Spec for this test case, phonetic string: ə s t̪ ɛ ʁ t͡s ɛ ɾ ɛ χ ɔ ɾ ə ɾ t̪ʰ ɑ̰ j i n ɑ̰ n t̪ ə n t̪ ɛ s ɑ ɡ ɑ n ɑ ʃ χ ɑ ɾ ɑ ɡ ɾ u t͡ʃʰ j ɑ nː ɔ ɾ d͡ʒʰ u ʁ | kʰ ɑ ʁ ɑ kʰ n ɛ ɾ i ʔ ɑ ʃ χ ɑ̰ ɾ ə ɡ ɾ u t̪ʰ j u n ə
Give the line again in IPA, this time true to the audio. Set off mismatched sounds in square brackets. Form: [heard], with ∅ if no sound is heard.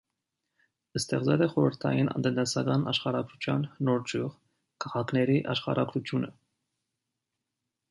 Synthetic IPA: ə s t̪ ɛ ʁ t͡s ɛ [l] ɛ χ ɔ ɾ ə ɾ t̪ʰ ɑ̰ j i n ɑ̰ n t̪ ə n t̪ ɛ s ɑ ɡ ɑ n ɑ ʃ χ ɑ ɾ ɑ ɡ ɾ u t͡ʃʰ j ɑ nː ɔ ɾ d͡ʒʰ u ʁ | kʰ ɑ ʁ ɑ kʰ n ɛ ɾ i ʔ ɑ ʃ χ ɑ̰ ɾ [ɑ] ɡ ɾ u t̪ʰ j u n ə